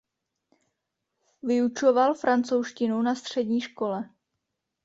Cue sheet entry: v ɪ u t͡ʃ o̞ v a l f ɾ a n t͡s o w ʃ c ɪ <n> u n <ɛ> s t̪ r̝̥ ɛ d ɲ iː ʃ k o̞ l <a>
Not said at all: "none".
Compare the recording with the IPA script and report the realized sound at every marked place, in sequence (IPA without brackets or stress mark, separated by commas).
n, a, ɛ